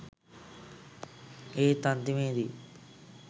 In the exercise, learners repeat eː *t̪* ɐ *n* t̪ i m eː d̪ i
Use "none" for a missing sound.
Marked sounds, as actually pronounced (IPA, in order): t̪, n

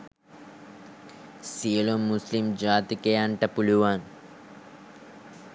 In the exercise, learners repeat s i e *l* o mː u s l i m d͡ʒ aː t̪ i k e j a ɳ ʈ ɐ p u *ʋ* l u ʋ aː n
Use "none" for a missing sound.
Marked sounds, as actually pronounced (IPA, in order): l, none

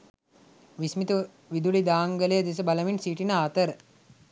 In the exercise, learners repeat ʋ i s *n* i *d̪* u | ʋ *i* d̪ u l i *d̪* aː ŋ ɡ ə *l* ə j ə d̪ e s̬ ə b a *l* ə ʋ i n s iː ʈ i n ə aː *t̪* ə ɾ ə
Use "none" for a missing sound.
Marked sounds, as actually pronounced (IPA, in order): m, t̪, i, d̪, l, l, t̪

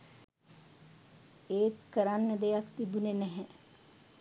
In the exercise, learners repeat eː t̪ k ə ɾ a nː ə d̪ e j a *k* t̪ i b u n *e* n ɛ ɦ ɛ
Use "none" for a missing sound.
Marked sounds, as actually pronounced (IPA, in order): k, e

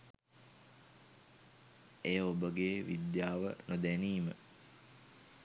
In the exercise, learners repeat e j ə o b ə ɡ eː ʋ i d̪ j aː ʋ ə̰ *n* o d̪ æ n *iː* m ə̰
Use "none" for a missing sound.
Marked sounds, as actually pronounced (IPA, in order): n, iː

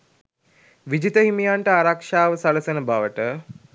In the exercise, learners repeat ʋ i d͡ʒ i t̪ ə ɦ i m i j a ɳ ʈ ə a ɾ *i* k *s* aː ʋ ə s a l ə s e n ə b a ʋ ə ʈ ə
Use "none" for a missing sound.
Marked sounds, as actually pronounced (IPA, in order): a, ʂ

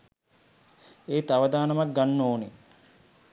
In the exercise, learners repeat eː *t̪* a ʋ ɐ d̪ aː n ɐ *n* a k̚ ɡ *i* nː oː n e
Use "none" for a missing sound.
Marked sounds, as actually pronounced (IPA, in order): t̪, m, a

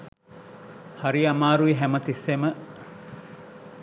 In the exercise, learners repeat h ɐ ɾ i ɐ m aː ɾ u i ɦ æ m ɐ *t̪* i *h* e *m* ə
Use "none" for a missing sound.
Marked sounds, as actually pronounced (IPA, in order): t̪, s, m

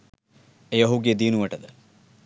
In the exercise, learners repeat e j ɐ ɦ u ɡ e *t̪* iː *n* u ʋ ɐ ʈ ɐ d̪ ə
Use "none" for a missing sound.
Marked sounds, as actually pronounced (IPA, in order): d̪, n

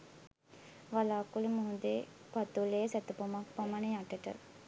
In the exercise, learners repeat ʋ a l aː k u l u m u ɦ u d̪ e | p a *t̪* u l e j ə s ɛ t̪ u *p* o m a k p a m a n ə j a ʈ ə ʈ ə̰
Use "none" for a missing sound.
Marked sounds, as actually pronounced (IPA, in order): t̪, p

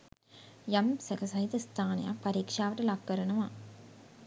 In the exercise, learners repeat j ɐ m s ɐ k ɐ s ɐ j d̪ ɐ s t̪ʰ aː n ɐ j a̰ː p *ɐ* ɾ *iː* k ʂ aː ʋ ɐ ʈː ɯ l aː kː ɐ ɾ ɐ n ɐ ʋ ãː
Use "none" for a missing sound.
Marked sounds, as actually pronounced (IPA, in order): ɐ, iː

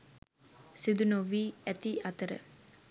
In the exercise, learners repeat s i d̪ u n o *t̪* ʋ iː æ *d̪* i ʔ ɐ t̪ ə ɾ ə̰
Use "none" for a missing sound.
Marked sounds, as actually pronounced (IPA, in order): none, t̪

